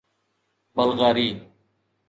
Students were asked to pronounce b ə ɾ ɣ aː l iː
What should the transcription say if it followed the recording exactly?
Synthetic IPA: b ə l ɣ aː ɾ iː

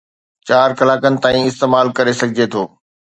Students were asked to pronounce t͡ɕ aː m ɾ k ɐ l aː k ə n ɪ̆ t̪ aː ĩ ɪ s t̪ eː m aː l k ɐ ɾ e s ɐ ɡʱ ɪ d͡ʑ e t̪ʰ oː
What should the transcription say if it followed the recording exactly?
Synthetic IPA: t͡ɕ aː ɾ k ɐ l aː k ə n ɪ̆ t̪ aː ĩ ɪ s t̪ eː m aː l k ɐ ɾ e s ɐ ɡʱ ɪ d͡ʑ e t̪ʰ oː

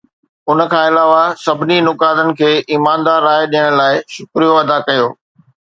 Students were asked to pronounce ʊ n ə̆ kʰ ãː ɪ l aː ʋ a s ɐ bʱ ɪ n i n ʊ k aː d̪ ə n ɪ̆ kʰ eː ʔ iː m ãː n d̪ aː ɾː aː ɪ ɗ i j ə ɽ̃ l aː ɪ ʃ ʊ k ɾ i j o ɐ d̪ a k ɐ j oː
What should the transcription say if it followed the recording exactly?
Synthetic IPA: ʊ n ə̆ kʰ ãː ɪ l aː ʋ a s ɐ bʱ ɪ n i n ʊ k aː d̪ ə n ɪ̆ kʰ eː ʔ iː m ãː n d̪ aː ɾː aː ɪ ɗ i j ə ɽ̃ l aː ɪ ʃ ʊ k ɾ i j o ɐ d̪ a k ɐ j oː

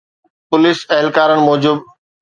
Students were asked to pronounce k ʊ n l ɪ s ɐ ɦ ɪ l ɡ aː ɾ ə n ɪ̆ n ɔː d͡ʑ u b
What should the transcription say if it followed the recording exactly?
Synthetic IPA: p ʊ l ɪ s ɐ ɦ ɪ l k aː ɾ ə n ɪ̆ m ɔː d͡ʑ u b

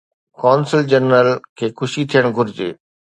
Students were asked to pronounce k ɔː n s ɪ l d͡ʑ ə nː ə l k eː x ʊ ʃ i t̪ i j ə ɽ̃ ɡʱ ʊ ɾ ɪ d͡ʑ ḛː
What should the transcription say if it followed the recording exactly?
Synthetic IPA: k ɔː n s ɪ l d͡ʑ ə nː ə l kʰ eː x ʊ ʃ i t̪ʰ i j ə ɽ̃ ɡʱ ʊ ɾ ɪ d͡ʑ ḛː

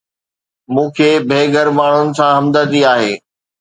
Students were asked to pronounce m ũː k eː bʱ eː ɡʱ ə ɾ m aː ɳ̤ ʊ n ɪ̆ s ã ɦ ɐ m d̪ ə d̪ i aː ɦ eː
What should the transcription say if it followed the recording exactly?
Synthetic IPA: m ũː kʰ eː bʱ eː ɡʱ ə ɾ m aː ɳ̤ ʊ n ɪ̆ s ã ɦ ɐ m d̪ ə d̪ i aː ɦ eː

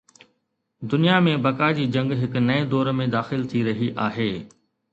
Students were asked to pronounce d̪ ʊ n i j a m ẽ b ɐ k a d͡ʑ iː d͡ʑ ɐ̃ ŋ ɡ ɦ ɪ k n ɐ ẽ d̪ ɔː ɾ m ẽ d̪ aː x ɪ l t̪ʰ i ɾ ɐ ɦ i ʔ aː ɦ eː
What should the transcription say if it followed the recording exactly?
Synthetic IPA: d̪ ʊ n i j a m ẽ b ɐ k a d͡ʑ iː d͡ʑ ɐ̃ ŋ ɡ ɦ ɪ k n ɐ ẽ d̪ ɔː ɾ m ẽ d̪ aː x ɪ l t̪ʰ i ɾ ɐ ɦ i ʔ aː ɦ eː

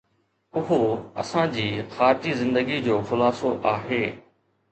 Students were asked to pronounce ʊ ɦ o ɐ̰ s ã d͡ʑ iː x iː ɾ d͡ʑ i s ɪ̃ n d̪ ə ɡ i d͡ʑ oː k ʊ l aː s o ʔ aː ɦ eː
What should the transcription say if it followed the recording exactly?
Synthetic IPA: ʊ ɦ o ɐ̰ s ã d͡ʑ iː x aː ɾ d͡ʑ i z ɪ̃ n d̪ ə ɡ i d͡ʑ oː x ʊ l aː s o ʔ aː ɦ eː

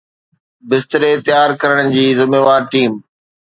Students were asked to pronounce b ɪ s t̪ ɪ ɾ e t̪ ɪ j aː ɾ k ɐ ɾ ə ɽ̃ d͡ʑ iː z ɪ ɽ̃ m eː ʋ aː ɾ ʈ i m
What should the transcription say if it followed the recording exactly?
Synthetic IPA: b ɪ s t̪ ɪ ɾ e t̪ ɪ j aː ɾ k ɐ ɾ ə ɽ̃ d͡ʑ iː z ɪ m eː ʋ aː ɾ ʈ iː m

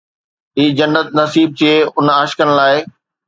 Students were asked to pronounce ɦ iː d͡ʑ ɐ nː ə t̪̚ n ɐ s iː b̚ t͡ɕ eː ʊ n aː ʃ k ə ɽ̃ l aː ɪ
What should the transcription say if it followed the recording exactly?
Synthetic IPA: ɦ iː d͡ʑ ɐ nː ə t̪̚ n ɐ s iː b̚ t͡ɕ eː ʊ n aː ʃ k ə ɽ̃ l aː ɪ

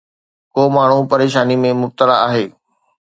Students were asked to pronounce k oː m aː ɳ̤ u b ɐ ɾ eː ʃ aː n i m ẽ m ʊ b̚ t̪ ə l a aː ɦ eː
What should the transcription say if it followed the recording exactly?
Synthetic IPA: k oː m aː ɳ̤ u p ɐ ɾ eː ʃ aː n i m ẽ m ʊ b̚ t̪ ə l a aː ɦ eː

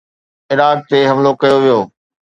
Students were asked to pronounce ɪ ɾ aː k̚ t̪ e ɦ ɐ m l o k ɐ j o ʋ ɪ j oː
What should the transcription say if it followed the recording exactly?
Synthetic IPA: ɪ ɾ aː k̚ t̪ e ɦ ɐ m l o k ɐ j o ʋ i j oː

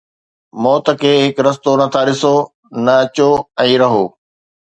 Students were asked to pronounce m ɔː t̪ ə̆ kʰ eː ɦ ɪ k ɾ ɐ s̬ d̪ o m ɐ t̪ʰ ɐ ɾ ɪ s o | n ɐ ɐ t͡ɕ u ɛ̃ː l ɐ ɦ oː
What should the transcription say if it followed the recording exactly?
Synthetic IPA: m ɔː t̪ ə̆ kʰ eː ɦ ɪ k ɾ ɐ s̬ t̪ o n ɐ t̪ʰ a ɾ ɪ s o | n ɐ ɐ t͡ɕ o ɛ̃ː ɾ ɐ ɦ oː

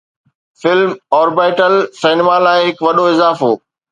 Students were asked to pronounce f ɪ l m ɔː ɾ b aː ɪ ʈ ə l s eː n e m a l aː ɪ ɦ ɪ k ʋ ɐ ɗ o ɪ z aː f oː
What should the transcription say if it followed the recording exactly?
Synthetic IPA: f ɪ l m ɔː ɾ b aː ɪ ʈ ə l s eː n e m a l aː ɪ ɦ ɪ k ʋ ɐ ɗ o ɪ z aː f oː

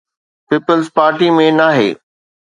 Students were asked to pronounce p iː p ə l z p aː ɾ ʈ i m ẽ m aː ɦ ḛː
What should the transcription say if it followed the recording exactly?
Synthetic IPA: p iː p ə l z p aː ɾ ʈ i m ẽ n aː ɦ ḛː

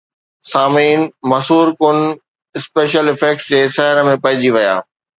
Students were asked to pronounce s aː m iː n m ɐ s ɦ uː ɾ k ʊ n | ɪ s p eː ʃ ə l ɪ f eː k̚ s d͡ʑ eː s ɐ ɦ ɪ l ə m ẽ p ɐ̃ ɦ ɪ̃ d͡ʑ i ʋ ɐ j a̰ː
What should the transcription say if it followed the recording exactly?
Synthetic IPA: s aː m iː n m ɐ s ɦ uː ɾ k ʊ n | ɪ s p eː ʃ ə l ɪ f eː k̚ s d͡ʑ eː s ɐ ɦ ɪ ɾ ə m ẽ p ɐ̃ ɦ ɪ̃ d͡ʑ i ʋ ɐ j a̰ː

